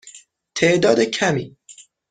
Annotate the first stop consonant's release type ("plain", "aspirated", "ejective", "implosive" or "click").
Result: aspirated